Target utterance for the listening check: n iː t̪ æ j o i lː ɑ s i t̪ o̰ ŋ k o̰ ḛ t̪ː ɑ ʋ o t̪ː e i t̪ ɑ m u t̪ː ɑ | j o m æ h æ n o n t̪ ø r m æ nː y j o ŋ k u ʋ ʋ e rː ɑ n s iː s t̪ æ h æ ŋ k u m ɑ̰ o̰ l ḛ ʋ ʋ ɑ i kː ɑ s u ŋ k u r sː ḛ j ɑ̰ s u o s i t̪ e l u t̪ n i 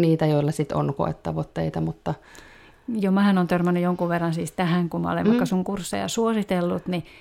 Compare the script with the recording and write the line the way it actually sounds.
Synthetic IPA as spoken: n iː t̪ æ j o i lː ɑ s i t̪ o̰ n k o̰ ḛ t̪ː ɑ ʋ o t̪ː e i t̪ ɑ m u t̪ː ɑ | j o m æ h æ n o n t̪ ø r m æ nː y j o ŋ k u ʋ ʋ e rː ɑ n s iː s t̪ æ h æ ŋ k u m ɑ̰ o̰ l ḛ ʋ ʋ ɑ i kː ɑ s u ŋ k u r sː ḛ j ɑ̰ s u o s i t̪ e lː u t̪ n i